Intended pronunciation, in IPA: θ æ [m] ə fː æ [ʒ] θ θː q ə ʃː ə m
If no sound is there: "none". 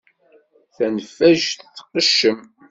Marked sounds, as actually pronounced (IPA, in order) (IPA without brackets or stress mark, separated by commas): n, ʒ